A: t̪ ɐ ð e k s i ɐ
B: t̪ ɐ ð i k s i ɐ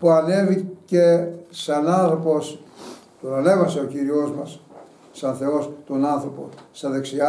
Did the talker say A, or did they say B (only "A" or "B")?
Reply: A